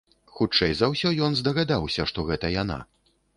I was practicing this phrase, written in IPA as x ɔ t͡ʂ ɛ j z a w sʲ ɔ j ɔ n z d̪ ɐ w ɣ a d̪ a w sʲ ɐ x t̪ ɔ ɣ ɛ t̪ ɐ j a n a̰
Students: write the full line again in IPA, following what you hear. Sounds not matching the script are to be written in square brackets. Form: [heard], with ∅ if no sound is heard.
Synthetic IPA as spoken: x [u] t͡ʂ ɛ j z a w sʲ ɔ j ɔ n z d̪ ɐ [∅] ɣ a d̪ a w sʲ ɐ [ʂ] t̪ ɔ ɣ ɛ t̪ ɐ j a n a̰